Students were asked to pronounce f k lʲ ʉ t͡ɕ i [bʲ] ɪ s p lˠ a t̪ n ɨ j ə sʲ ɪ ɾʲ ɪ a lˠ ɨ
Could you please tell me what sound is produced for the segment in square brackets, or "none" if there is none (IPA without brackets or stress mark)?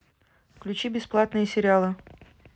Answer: bʲ